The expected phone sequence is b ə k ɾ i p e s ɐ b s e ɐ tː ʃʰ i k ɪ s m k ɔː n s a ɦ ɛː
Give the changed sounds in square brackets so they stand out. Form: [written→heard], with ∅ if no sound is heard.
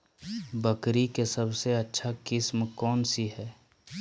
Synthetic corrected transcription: b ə k ɾ i [p→k] e s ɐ b s e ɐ tː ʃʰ [i→a] k ɪ s m k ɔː n s [a→i] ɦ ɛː

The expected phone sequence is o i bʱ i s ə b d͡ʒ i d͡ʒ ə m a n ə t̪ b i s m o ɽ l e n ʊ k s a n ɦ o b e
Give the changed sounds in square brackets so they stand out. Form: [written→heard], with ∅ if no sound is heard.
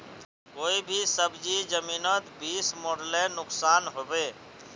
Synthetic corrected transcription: o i bʱ i s ə b d͡ʒ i d͡ʒ ə m [a→i] n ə t̪ b i s m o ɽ l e n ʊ k s a n ɦ o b e

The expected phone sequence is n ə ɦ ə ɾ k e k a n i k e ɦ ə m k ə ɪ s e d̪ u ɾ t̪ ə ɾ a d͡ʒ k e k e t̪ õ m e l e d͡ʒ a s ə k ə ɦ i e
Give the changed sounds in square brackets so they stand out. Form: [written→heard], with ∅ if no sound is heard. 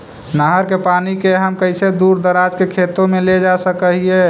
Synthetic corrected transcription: n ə ɦ ə ɾ k e [k→p] a n i k e ɦ ə m k ə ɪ s e d̪ u ɾ [t̪→d̪] ə ɾ a d͡ʒ k e [k→kʰ] e t̪ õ m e l e d͡ʒ a s ə k ə ɦ i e

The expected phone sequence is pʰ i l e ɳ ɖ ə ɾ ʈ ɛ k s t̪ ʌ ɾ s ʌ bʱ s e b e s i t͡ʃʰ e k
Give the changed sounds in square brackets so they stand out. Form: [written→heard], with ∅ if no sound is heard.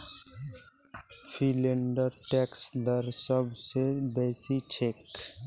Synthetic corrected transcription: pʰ i l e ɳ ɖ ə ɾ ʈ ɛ k s [t̪→d̪] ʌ ɾ s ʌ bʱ s e b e s i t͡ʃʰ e k

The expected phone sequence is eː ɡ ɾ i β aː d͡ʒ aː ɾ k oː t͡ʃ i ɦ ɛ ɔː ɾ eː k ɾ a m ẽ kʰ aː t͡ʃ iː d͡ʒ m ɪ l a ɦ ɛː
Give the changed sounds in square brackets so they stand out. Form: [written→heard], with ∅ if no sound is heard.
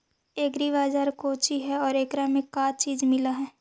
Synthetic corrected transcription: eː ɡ ɾ i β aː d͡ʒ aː ɾ k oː t͡ʃ i ɦ ɛ ɔː ɾ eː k ɾ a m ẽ [kʰ→k] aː t͡ʃ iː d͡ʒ m ɪ l a ɦ ɛː

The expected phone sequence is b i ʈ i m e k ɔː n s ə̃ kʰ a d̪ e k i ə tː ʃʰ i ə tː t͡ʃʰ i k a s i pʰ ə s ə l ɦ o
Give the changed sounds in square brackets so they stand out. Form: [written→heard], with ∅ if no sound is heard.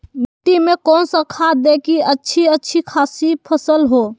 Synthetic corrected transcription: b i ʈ i m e k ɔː n s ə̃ kʰ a d̪ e k i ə tː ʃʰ i ə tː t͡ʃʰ i [k→kʰ] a s i pʰ ə s ə l ɦ o

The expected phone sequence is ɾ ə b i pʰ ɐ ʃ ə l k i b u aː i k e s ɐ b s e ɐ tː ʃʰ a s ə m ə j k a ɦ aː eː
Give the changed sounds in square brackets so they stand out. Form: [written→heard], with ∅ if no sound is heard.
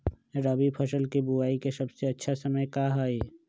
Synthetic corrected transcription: ɾ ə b i pʰ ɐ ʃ ə l k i b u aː i k e s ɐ b s e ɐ tː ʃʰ a s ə m ə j k a ɦ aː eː

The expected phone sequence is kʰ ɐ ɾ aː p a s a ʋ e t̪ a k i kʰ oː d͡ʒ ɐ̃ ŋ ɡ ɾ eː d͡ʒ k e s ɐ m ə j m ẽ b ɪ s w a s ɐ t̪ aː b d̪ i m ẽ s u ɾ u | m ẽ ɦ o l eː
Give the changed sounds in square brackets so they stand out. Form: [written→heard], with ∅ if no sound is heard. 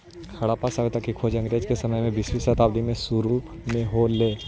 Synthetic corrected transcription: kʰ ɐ [ɾ→ɽ] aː p a s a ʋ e t̪ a k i kʰ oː d͡ʒ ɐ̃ ŋ ɡ ɾ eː d͡ʒ k e s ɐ m ə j m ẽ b ɪ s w [a→i] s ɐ t̪ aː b d̪ i m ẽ s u ɾ u | m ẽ ɦ o l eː

